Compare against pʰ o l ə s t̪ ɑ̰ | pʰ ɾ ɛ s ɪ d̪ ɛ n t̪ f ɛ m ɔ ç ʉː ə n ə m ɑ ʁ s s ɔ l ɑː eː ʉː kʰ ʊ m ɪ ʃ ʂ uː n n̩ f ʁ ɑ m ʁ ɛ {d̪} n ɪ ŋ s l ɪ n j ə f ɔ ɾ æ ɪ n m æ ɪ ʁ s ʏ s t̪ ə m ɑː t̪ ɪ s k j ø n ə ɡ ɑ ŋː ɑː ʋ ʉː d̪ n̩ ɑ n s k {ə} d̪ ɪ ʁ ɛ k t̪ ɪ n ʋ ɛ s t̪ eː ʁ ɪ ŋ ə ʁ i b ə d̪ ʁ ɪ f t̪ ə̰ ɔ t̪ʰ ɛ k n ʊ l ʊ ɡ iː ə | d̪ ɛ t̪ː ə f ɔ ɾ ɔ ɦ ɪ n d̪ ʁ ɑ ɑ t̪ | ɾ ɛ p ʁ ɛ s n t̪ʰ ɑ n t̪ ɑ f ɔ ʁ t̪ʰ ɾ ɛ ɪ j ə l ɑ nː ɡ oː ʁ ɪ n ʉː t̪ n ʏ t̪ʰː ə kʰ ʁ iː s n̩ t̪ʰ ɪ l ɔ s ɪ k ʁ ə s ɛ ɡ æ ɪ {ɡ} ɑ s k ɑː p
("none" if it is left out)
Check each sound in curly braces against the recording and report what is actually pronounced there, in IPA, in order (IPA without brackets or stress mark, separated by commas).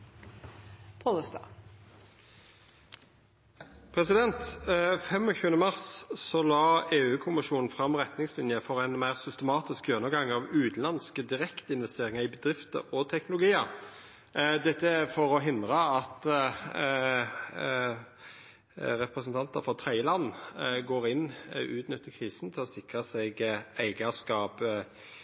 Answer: t̪, ə, ɡ